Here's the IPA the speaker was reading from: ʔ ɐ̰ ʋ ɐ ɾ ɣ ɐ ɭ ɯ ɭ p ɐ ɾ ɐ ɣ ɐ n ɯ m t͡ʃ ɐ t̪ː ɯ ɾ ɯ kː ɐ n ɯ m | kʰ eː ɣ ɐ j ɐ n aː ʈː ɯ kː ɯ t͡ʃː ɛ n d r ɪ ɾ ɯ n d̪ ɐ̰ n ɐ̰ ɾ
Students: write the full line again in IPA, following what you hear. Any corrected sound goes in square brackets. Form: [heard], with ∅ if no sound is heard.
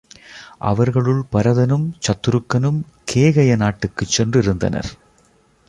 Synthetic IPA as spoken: ʔ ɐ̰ ʋ ɐ ɾ ɣ ɐ ɭ ɯ ɭ p ɐ ɾ ɐ [ð] ɐ n ɯ m t͡ʃ ɐ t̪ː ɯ ɾ ɯ kː ɐ n ɯ m | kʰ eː ɣ ɐ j ɐ n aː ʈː ɯ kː ɯ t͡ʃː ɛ n d r ɪ ɾ ɯ n d̪ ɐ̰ n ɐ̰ ɾ

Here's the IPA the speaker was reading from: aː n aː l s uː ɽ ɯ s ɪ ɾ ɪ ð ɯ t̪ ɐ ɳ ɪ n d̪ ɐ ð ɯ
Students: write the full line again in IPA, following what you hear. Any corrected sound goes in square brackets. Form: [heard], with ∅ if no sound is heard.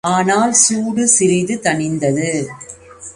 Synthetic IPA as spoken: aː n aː l s uː ɽ ɯ s ɪ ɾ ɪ ð ɯ t̪ ɐ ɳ ɪ n d̪ ɐ ð ɯ

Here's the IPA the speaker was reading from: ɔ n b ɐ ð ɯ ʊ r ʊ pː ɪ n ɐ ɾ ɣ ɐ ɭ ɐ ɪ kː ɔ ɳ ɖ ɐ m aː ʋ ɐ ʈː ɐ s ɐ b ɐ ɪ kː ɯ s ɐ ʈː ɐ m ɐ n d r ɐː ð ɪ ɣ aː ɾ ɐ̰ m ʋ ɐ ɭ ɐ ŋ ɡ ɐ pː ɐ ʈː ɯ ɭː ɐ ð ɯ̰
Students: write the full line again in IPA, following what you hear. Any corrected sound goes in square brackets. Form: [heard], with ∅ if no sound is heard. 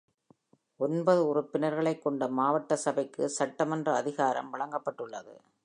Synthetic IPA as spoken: ɔ n b ɐ ð ɯ ʊ r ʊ pː ɪ n ɐ ɾ ɣ ɐ ɭ ɐ ɪ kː ɔ ɳ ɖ ɐ m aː ʋ ɐ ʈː ɐ s ɐ b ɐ ɪ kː ɯ s ɐ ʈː ɐ m ɐ n d r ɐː ð ɪ ɣ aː ɾ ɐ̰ m ʋ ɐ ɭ ɐ ŋ ɡ ɐ pː ɐ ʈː ɯ ɭː ɐ ð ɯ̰

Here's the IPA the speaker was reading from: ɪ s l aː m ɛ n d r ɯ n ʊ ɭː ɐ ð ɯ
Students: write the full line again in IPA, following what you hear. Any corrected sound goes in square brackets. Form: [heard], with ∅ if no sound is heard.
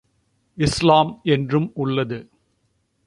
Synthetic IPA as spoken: ɪ s l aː m ɛ n d r ɯ [m] ʊ ɭː ɐ ð ɯ

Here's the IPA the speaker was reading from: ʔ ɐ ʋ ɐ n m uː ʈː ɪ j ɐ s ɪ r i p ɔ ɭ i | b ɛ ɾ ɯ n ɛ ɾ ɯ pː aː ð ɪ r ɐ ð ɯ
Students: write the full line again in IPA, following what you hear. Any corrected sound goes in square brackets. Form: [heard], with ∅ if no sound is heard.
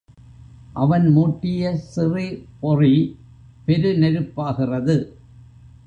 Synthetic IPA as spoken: ʔ ɐ ʋ ɐ n m uː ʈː ɪ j ɐ s ɪ r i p ɔ [r] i | [p] ɛ ɾ ɯ n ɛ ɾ ɯ pː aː [ɣ] ɪ r ɐ ð ɯ

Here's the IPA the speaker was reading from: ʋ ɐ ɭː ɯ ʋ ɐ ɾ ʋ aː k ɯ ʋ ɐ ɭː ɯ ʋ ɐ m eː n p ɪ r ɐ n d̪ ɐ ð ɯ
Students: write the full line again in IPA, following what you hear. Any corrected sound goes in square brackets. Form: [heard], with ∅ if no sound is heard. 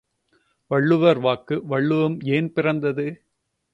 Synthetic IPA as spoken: ʋ ɐ ɭː ɯ ʋ ɐ ɾ ʋ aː k ɯ ʋ ɐ ɭː ɯ ʋ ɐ m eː n p ɪ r ɐ n d̪ ɐ ð ɯ

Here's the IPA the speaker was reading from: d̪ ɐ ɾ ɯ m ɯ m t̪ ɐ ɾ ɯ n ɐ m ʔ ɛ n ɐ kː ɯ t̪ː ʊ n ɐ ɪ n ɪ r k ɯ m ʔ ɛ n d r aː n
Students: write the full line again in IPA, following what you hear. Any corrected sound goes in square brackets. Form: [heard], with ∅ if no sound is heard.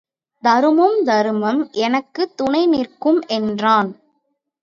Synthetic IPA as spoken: d̪ ɐ ɾ ɯ m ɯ m [d̪] ɐ ɾ ɯ [m] ɐ m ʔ ɛ n ɐ kː ɯ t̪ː ʊ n ɐ ɪ n ɪ r k ɯ m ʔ ɛ n d r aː n

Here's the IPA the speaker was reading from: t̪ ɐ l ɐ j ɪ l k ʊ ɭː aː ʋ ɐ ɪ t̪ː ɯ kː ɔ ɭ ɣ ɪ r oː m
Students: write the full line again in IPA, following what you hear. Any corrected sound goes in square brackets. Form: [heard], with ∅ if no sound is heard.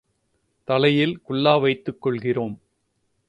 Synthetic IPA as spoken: t̪ ɐ l ɐ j ɪ l k ʊ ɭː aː ʋ ɐ ɪ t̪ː ɯ kː ɔ ɭ ɣ ɪ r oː m

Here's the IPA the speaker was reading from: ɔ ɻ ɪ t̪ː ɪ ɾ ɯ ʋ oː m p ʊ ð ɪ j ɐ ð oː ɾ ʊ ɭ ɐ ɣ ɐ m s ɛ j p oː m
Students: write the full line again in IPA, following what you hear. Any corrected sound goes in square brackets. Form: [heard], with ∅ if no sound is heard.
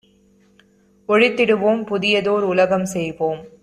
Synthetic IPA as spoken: ɔ ɻ ɪ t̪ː ɪ [ɽ] ɯ ʋ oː m p ʊ ð ɪ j ɐ ð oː ɾ ʊ [l] ɐ ɣ ɐ m s ɛ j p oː m

